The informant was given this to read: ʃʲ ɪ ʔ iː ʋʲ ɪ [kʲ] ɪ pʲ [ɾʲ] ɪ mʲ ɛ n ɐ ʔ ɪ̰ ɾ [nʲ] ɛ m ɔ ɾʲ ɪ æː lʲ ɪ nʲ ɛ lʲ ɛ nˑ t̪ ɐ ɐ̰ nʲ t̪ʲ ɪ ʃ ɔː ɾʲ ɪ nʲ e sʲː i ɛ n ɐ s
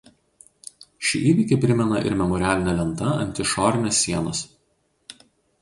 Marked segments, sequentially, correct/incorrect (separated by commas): correct, correct, incorrect